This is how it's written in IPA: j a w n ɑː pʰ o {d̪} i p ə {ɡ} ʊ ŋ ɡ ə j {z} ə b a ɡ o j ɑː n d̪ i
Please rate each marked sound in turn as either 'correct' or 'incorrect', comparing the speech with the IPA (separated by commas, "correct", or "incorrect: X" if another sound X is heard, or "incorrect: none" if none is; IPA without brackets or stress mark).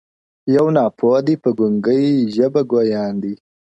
correct, correct, incorrect: ʒ